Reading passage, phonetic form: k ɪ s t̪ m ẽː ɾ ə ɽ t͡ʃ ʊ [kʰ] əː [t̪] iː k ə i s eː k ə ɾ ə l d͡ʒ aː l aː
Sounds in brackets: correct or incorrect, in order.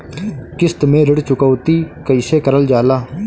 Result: incorrect: k, correct

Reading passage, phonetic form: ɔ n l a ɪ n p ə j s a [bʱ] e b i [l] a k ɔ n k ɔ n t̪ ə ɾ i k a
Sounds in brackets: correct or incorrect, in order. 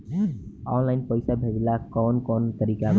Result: correct, correct

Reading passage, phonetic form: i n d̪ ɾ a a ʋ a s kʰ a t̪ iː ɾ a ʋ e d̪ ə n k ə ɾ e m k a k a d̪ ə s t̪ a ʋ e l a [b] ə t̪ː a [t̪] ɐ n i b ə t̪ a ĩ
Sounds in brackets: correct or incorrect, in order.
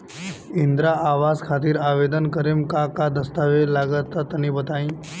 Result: incorrect: ɡ, correct

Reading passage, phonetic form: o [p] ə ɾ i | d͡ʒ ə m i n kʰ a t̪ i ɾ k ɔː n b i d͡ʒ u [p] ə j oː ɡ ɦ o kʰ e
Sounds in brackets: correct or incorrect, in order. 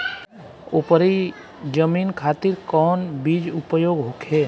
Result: correct, correct

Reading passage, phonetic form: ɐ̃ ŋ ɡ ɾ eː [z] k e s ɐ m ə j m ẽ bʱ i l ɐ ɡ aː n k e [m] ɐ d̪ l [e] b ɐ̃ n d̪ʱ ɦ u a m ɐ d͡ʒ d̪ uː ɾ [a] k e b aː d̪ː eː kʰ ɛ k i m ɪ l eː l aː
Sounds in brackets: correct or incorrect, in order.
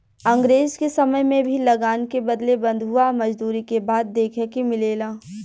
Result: correct, incorrect: b, correct, incorrect: i

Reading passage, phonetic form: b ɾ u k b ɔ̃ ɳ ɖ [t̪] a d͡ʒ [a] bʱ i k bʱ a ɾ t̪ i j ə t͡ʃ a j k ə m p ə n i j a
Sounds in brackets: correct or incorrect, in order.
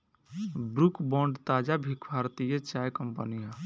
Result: correct, correct

